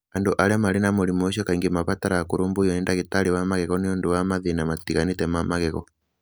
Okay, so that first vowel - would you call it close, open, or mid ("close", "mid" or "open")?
open